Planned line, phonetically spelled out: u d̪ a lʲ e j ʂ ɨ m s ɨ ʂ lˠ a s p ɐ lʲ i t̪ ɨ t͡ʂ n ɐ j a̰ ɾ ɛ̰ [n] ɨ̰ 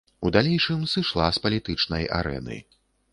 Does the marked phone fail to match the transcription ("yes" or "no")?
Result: no